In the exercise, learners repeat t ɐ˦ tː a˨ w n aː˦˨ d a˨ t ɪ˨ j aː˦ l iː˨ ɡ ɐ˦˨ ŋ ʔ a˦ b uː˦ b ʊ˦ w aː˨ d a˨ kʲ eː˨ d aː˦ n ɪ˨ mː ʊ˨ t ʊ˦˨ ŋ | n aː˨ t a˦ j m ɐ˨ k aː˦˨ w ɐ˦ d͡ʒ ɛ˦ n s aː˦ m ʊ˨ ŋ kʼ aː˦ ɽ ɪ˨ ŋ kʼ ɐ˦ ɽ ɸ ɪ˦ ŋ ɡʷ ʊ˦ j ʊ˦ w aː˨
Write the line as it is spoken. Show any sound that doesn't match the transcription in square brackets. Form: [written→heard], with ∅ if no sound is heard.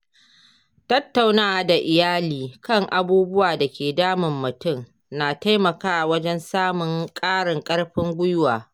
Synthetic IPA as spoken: t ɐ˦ tː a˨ w n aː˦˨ d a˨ [t→ʔ] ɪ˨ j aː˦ l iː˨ [ɡ→k] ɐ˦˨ ŋ ʔ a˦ b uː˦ b ʊ˦ w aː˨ d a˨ kʲ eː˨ d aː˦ [n→m] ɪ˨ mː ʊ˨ t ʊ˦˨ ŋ | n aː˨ t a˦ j m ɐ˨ k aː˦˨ w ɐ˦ d͡ʒ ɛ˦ n s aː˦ m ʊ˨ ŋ kʼ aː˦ ɽ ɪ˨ ŋ kʼ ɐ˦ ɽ ɸ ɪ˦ ŋ ɡʷ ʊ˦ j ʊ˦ w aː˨